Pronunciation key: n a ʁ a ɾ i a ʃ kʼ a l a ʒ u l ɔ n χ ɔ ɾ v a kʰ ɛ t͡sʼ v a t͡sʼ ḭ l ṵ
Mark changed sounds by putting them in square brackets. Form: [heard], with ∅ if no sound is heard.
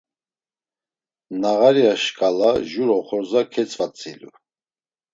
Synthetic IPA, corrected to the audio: n a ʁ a ɾ i a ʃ kʼ a l a ʒ u [ɾ] ɔ [∅] χ ɔ ɾ [z] a kʰ ɛ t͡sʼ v a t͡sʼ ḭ l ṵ